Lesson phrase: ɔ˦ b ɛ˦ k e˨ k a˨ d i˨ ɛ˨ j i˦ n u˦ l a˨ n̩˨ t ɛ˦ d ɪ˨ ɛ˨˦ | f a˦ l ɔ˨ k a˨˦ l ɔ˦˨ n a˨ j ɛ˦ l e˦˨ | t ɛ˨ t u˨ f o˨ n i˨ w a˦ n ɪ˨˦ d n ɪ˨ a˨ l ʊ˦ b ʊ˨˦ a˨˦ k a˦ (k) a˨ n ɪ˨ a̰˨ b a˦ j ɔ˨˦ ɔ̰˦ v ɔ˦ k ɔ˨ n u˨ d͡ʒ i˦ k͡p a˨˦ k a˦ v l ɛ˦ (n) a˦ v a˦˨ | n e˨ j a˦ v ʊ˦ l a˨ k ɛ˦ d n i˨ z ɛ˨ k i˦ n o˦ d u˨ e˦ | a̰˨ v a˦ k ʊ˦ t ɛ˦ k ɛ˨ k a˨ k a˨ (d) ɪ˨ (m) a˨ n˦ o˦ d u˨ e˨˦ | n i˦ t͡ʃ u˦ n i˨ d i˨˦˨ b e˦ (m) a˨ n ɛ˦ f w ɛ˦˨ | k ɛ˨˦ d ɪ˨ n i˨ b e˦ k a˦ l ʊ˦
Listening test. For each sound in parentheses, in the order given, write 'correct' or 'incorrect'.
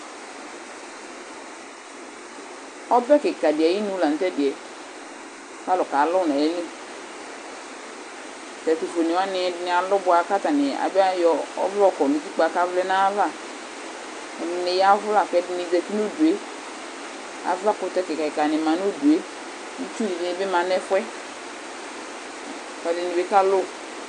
incorrect, correct, incorrect, correct, correct

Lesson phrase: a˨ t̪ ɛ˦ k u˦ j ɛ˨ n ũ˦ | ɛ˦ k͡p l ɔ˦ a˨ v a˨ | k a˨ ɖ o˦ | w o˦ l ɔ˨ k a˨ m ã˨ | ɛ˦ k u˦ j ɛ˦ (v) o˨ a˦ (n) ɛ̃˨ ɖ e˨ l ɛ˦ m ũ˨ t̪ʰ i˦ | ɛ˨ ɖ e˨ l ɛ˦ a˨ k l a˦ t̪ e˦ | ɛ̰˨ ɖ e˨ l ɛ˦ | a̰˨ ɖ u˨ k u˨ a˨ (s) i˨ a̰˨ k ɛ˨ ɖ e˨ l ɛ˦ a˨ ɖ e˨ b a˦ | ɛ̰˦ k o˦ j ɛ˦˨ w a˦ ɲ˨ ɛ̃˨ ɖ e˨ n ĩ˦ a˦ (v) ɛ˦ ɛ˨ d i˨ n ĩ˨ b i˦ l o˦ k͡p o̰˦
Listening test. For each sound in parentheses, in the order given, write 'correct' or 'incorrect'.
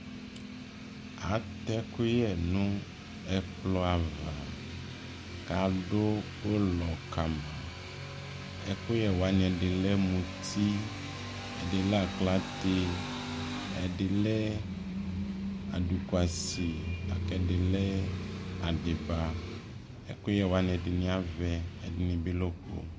incorrect, incorrect, correct, correct

